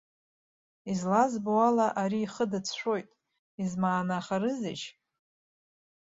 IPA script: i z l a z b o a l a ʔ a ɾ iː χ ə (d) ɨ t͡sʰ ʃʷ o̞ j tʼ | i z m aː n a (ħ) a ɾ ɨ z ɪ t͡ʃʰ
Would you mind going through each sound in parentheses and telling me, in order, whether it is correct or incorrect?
correct, incorrect

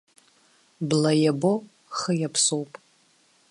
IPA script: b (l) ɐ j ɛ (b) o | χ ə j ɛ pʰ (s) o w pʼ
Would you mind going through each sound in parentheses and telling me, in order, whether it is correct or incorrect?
correct, correct, correct

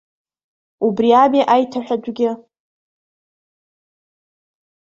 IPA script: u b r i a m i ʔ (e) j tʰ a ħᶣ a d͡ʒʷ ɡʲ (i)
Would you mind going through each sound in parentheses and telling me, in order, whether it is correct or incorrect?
incorrect, incorrect

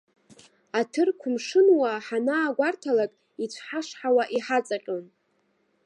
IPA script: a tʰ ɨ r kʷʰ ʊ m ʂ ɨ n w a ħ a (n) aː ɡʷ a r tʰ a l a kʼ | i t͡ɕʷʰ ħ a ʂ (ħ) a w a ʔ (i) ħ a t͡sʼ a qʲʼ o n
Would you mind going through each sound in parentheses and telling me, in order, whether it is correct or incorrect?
correct, correct, correct

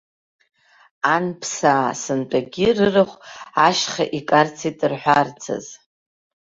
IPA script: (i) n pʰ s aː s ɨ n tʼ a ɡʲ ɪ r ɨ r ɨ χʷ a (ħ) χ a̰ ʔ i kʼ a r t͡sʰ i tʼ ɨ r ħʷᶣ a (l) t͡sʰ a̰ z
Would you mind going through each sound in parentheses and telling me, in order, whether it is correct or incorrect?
incorrect, incorrect, incorrect

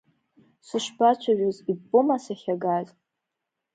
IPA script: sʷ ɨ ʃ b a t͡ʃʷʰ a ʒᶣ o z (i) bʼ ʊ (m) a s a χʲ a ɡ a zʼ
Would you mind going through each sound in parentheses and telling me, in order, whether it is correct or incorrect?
correct, correct

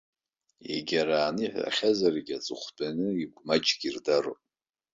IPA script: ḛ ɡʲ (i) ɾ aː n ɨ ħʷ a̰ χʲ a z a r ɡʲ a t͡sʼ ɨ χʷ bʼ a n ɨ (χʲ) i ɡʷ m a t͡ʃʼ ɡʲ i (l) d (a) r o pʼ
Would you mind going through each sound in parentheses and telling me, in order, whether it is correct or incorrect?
incorrect, incorrect, incorrect, correct

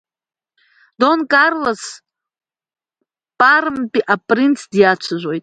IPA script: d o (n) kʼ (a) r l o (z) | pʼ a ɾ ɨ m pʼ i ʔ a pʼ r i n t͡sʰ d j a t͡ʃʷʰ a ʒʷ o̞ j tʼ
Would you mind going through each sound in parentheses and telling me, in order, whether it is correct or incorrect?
correct, correct, incorrect

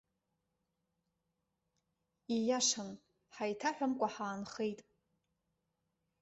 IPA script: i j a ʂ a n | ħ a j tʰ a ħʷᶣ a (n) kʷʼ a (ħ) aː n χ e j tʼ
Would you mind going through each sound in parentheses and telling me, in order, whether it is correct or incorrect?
incorrect, correct

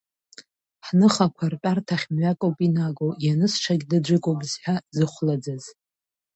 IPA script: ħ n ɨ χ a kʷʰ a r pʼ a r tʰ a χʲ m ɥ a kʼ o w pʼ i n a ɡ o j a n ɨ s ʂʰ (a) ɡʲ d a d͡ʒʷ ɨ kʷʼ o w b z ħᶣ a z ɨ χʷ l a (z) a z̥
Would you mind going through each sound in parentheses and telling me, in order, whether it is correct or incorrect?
correct, incorrect

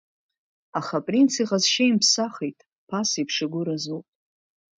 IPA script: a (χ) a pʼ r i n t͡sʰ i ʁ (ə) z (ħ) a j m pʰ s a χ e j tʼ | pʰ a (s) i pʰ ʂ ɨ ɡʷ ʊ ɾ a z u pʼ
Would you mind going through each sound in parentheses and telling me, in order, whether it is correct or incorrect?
correct, incorrect, incorrect, correct

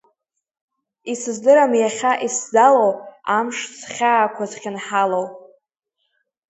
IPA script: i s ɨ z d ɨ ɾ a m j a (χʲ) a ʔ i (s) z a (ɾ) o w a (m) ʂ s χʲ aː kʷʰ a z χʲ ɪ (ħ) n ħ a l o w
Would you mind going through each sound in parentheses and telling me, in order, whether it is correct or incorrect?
correct, correct, incorrect, correct, incorrect

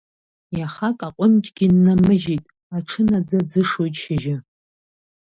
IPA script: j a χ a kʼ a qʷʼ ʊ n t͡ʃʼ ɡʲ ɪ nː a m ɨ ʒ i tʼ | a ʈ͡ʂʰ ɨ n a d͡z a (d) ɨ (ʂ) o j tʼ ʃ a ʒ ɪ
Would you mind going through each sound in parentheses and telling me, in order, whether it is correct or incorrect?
incorrect, correct

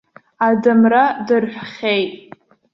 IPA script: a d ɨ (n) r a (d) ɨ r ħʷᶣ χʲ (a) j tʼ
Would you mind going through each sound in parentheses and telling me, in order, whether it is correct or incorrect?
incorrect, correct, incorrect

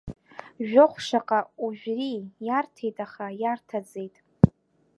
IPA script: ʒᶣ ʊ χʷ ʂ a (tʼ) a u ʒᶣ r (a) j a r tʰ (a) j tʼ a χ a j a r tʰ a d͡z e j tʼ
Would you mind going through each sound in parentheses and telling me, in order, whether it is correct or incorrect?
incorrect, incorrect, incorrect

